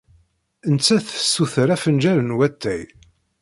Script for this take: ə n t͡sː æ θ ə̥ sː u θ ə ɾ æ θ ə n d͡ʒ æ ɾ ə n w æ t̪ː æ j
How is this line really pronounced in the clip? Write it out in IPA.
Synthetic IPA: ə n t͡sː æ θ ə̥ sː u θ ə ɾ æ f ə n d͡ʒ æ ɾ ə n w æ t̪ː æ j